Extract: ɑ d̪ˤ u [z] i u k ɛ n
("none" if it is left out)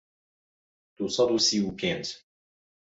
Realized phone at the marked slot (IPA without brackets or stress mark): s